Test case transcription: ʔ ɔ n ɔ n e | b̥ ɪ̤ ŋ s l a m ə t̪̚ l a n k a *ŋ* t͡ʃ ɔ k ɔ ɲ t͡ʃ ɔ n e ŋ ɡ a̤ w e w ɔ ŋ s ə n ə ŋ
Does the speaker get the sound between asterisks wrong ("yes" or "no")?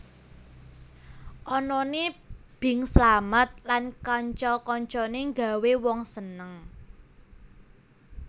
yes